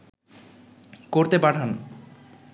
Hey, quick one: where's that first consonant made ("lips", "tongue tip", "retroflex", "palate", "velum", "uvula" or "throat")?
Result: velum